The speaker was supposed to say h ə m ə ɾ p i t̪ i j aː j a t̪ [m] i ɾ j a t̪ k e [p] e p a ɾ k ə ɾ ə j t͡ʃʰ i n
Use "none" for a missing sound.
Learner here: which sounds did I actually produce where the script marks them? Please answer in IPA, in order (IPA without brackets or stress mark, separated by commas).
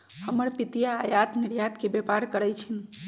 n, b